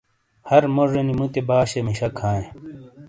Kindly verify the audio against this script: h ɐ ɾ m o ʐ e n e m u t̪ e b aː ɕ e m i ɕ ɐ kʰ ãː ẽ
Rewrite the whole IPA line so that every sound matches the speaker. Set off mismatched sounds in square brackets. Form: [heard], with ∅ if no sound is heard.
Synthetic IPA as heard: h ɐ ɾ m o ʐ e n [i] m u t̪ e b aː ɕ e m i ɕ ɐ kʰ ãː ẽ